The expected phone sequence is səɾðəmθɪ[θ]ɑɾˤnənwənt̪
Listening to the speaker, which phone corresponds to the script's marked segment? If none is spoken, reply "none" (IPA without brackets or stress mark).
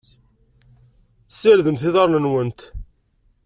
ð